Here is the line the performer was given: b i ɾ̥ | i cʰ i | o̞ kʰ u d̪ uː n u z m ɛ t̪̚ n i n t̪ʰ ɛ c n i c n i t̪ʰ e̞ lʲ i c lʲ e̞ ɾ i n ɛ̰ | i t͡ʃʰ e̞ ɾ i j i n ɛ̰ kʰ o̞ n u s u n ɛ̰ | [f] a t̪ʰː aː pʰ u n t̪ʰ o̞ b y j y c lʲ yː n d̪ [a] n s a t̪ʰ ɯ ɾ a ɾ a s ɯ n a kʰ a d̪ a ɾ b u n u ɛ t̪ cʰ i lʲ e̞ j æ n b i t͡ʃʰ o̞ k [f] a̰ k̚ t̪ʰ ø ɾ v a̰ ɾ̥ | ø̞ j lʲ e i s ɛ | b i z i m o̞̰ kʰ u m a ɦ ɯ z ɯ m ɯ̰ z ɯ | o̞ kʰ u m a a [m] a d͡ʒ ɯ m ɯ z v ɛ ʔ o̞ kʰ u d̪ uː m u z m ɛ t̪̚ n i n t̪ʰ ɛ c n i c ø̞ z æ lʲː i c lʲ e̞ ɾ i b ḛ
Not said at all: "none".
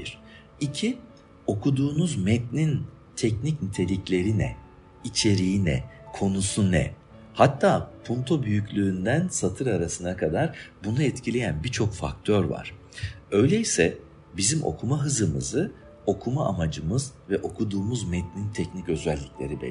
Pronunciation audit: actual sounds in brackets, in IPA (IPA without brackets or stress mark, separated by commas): h, æ, f, m